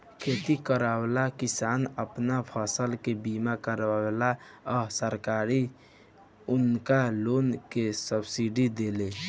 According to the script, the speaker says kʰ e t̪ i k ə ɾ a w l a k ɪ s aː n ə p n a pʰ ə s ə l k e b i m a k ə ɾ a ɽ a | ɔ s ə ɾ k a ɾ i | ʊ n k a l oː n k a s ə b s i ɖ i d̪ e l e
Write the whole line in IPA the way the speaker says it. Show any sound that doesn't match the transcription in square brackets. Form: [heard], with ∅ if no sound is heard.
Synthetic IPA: kʰ e t̪ i k ə ɾ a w l a k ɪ s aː n ə p n a pʰ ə s ə l k e b i m a k ə ɾ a [l] a | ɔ s ə ɾ k a ɾ i | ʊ n k a l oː n k [e] s ə b s i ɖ i d̪ e l e